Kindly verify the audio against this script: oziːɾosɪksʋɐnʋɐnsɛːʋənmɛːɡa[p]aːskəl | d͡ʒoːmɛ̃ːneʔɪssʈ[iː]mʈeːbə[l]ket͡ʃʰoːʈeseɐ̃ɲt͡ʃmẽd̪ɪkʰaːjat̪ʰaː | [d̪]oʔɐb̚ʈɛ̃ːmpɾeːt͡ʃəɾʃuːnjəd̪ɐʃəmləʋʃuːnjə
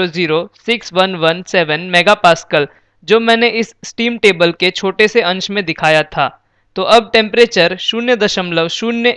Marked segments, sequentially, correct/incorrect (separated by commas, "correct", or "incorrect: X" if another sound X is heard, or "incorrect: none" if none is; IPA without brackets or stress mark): correct, correct, correct, incorrect: t̪